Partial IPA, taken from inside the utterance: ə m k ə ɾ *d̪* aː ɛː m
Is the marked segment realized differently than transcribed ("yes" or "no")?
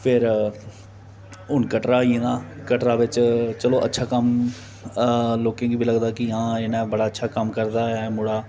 no